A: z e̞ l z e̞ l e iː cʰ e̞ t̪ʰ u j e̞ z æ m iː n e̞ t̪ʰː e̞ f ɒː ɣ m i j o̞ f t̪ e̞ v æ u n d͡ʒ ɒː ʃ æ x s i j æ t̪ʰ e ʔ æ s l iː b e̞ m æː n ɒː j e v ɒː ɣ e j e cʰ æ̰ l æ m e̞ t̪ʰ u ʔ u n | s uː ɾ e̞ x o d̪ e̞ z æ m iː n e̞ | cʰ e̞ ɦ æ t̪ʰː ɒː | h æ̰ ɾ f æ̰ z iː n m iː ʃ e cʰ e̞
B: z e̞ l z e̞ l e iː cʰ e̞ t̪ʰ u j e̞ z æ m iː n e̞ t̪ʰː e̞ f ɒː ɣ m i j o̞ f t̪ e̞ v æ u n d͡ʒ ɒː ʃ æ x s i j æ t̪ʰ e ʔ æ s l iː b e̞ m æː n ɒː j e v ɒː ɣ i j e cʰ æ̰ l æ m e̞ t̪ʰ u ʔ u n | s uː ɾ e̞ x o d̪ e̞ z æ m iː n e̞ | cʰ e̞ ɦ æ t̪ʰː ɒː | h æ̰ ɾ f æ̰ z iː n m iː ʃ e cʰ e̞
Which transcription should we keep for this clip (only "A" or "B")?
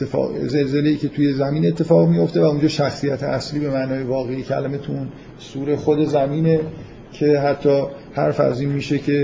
A